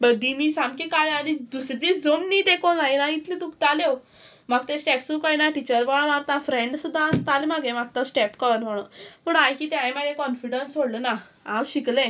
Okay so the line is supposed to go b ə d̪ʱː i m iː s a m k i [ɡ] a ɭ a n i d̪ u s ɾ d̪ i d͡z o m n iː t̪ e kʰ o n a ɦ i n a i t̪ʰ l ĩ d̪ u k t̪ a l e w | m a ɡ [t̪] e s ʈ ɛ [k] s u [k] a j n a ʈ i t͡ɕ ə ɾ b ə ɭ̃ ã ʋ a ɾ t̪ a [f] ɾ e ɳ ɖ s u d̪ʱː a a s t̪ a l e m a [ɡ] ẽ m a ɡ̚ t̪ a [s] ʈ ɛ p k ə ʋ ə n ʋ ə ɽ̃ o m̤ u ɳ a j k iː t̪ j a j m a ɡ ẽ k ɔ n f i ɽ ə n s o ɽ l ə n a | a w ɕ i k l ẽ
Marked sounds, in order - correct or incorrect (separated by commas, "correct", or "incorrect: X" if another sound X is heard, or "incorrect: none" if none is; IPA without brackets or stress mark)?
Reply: incorrect: k, correct, incorrect: p, correct, correct, correct, correct